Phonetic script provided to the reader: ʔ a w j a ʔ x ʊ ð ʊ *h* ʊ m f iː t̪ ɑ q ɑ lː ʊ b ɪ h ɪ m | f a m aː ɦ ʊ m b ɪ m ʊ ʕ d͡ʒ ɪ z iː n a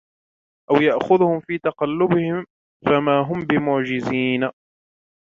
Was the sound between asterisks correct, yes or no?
yes